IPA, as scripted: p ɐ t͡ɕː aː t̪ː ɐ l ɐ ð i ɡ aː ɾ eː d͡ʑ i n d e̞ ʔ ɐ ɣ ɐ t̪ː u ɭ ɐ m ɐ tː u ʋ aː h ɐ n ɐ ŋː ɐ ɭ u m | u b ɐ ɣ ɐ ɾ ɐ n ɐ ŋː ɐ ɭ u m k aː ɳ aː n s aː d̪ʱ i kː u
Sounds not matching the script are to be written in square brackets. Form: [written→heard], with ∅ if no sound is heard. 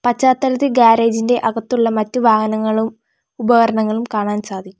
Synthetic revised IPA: p ɐ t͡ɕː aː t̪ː ɐ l ɐ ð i ɡ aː ɾ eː d͡ʑ i n d e̞ ʔ ɐ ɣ ɐ t̪ː u [ɭ→ɭː] ɐ m ɐ tː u ʋ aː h ɐ n ɐ ŋː ɐ ɭ u m | u b ɐ ɣ ɐ ɾ ɐ [n→ɳ] ɐ ŋː ɐ ɭ u m k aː ɳ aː n s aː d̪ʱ i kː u